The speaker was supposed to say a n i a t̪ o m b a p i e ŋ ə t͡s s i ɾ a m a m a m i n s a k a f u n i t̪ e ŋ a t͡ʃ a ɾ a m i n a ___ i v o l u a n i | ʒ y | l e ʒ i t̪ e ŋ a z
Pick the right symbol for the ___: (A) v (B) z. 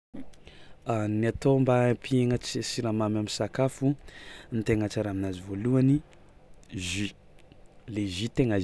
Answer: B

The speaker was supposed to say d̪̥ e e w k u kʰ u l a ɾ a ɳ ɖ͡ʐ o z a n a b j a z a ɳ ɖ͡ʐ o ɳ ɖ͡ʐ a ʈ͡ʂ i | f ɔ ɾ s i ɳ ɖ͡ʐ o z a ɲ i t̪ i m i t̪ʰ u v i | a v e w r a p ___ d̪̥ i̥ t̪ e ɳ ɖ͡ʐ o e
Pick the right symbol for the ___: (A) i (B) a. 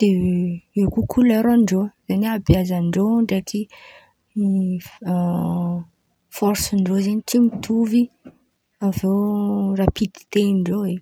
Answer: A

